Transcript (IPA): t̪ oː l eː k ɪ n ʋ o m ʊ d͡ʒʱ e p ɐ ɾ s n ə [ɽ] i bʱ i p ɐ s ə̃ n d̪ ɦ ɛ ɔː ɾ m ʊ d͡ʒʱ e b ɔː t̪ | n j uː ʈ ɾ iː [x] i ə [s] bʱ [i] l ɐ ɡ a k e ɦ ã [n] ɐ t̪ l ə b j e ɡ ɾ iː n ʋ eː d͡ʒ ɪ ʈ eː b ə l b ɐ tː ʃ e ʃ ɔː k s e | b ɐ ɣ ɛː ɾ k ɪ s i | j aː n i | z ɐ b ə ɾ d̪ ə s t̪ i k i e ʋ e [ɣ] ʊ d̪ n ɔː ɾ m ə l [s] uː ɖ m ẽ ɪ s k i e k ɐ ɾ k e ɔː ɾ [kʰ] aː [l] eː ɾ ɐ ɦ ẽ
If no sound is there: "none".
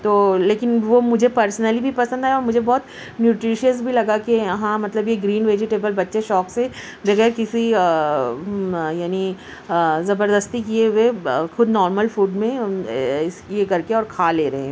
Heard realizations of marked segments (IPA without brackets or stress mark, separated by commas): l, ʃ, s, i, m, x, f, kʰ, l